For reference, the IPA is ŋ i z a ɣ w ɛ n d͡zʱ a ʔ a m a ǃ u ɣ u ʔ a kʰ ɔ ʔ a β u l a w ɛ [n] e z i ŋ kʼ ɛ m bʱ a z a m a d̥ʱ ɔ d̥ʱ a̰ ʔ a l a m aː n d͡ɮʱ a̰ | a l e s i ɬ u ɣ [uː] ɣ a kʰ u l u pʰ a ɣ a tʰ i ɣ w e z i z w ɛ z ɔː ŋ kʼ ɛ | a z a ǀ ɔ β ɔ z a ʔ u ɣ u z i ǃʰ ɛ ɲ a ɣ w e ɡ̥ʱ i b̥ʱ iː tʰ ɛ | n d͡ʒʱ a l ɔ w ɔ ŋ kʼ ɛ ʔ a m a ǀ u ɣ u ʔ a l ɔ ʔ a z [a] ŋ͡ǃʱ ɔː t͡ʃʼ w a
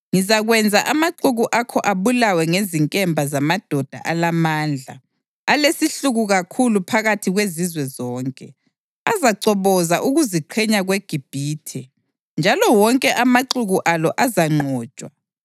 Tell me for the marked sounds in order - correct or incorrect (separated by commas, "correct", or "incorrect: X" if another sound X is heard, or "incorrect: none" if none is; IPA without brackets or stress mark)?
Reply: incorrect: ŋ, incorrect: u, correct